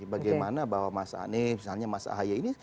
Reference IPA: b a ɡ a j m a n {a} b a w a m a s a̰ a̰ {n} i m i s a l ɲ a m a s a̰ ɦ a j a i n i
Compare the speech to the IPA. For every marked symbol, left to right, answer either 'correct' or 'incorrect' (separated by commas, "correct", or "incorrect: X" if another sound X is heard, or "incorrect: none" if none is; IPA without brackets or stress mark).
correct, correct